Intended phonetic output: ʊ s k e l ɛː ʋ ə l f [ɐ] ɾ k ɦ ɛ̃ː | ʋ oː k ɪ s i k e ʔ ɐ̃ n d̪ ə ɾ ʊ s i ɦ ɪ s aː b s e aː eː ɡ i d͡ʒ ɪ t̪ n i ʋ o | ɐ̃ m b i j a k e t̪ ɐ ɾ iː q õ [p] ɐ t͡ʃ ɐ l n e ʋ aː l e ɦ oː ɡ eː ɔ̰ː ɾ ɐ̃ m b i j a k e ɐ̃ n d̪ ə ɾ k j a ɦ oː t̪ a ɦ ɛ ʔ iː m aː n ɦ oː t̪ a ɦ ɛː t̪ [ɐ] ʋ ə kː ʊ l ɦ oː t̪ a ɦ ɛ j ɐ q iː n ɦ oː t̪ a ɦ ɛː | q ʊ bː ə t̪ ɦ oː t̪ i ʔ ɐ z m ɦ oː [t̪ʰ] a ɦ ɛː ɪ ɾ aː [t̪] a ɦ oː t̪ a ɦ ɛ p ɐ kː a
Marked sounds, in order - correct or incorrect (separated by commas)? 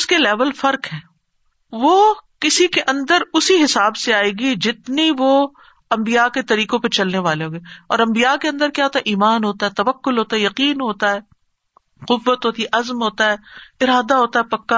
correct, correct, correct, incorrect, incorrect